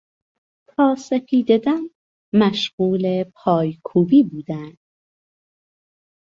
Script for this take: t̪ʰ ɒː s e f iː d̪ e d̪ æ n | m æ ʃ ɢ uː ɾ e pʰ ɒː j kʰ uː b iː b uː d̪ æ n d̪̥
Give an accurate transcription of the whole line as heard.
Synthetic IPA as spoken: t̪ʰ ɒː s e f iː d̪ e d̪ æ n | m æ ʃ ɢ uː l e pʰ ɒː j kʰ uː b iː b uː d̪ æ n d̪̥